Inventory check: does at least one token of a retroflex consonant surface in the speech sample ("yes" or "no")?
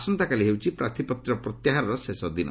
no